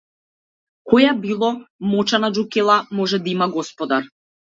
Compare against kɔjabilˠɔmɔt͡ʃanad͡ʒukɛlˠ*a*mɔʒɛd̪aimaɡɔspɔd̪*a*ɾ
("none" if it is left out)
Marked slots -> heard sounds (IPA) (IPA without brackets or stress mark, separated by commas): a, a